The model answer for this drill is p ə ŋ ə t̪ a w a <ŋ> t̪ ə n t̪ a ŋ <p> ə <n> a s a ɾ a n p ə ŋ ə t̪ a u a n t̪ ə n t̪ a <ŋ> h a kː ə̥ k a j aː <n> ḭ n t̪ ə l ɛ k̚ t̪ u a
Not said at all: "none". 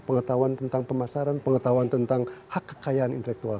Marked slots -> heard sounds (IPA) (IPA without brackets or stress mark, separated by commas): n, p, m, ŋ, n